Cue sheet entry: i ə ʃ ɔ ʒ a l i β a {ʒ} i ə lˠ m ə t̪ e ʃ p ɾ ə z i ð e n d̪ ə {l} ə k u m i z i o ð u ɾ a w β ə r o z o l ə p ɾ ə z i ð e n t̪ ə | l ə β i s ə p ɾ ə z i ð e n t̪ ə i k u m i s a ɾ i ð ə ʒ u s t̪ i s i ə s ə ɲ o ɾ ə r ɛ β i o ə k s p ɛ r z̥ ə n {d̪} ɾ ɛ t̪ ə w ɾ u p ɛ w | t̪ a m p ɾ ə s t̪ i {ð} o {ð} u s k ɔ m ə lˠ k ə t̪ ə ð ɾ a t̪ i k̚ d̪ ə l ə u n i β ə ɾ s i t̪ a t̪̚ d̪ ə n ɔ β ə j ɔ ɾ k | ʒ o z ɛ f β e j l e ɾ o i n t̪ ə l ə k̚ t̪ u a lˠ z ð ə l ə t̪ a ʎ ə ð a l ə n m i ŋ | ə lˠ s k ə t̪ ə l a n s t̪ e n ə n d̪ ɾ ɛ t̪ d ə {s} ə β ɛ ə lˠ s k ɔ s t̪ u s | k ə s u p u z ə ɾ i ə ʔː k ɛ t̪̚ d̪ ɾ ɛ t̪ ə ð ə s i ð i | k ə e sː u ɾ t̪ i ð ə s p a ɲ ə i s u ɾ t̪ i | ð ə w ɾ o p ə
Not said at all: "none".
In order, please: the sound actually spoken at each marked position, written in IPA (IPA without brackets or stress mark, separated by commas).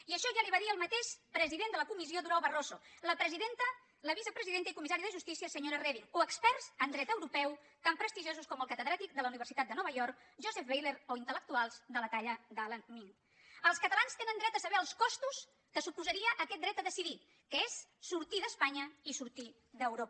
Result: ð, l, d̪, ʒ, z, s